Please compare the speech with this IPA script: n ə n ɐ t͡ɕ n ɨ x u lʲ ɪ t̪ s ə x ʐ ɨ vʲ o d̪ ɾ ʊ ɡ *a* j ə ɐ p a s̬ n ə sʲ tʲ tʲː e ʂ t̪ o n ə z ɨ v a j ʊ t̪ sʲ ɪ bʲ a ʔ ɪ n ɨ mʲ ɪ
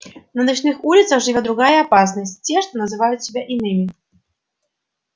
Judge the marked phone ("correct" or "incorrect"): correct